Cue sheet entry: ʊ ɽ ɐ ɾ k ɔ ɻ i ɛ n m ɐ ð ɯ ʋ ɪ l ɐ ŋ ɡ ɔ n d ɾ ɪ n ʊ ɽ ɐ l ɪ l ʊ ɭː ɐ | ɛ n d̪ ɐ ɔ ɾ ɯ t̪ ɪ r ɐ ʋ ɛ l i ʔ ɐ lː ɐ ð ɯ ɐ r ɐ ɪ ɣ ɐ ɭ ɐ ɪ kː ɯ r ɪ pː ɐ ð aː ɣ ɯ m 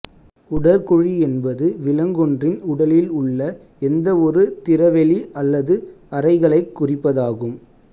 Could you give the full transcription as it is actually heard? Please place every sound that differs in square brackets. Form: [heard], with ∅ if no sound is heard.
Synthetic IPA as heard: ʊ ɽ ɐ ɾ k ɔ ɻ i ɛ n [b] ɐ ð ɯ ʋ ɪ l ɐ ŋ ɡ ɔ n d [r] ɪ n ʊ ɽ ɐ l ɪ l ʊ ɭː ɐ | ɛ n d̪ ɐ ɔ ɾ ɯ t̪ ɪ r ɐ ʋ ɛ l i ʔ ɐ lː ɐ ð ɯ ɐ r ɐ ɪ ɣ ɐ ɭ ɐ ɪ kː [ʊ] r ɪ pː ɐ ð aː ɣ ɯ m